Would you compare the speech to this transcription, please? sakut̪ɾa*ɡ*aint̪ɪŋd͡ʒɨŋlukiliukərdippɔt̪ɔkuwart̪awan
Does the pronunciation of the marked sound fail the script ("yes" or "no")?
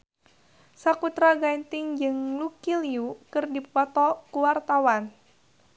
no